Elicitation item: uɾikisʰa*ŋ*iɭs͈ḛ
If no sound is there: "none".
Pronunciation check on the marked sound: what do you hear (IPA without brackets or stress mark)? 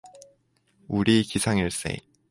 ŋ